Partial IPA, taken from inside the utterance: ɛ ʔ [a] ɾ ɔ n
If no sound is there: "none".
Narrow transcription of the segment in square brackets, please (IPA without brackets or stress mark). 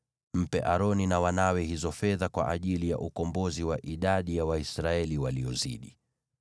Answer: a